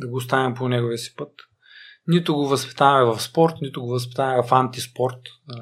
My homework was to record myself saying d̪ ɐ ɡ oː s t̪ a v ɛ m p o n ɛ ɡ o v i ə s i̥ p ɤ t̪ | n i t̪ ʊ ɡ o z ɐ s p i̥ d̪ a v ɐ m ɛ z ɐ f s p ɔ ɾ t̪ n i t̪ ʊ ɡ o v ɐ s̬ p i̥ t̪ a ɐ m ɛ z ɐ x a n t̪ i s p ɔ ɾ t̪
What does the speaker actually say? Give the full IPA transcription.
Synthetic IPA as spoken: d̪ ɐ ɡ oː s t̪ a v ɛ m p o n ɛ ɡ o v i ə s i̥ p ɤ t̪ | n i t̪ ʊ ɡ o v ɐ s p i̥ t̪ a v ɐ m ɛ v ɐ f s p ɔ ɾ t̪ n i t̪ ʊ ɡ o v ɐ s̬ p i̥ t̪ a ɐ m ɛ v ɐ f a n t̪ i s p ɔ ɾ t̪